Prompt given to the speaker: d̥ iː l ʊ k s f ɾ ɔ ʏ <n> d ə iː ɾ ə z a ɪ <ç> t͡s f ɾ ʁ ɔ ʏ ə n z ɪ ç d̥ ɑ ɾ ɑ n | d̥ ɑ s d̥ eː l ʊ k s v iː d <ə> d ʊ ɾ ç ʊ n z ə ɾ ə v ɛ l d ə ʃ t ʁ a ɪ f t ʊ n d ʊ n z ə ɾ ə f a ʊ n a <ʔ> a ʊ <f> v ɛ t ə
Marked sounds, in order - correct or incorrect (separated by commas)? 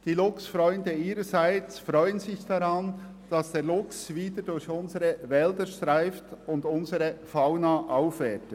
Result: correct, incorrect, correct, correct, correct